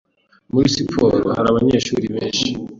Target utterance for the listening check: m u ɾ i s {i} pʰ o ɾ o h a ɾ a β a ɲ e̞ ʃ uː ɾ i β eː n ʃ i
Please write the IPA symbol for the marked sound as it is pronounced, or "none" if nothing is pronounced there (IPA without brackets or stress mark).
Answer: i